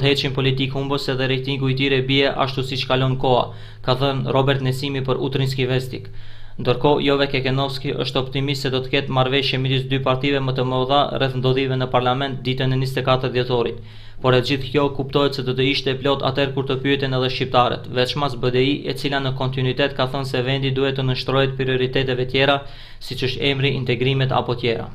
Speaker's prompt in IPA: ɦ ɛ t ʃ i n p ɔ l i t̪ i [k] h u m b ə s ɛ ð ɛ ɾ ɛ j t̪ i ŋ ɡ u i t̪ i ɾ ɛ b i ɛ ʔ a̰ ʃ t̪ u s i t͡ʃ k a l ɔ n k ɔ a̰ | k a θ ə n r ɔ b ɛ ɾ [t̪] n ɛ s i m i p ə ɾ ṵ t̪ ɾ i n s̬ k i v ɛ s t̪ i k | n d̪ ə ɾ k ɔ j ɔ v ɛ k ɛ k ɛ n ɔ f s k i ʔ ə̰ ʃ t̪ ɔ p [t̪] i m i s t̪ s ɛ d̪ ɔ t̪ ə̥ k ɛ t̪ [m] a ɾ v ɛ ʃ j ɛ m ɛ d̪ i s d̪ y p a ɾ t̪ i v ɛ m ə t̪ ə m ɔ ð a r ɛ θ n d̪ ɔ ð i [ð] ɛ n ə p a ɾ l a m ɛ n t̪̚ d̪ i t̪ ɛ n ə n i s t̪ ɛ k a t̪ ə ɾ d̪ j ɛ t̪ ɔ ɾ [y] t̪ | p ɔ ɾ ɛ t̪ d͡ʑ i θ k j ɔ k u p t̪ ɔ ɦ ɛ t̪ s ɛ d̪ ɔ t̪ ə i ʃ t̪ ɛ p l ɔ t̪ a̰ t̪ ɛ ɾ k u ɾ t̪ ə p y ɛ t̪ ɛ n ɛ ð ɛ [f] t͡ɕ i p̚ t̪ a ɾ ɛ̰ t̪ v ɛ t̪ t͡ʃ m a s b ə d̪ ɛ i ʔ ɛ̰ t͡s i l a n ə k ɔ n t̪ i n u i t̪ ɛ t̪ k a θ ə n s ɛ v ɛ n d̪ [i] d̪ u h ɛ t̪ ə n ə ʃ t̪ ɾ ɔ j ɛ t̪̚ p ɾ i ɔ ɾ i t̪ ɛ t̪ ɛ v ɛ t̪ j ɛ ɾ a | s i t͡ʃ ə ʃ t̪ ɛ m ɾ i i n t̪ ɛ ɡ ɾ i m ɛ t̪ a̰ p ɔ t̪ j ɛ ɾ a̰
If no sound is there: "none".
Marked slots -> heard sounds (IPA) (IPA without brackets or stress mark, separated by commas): k, t̪, t̪, m, v, i, ʃ, i